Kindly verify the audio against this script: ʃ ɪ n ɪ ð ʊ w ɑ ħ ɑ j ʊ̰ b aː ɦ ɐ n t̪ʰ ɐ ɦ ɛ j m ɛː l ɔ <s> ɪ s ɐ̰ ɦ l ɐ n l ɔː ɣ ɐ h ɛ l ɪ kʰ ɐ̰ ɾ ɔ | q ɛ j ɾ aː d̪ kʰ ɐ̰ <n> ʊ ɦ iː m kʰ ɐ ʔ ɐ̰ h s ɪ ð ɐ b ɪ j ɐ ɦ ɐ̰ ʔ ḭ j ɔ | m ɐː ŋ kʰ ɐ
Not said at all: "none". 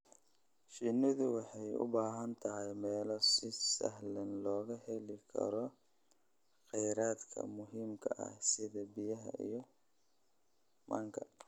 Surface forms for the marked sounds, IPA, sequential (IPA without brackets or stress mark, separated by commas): s, m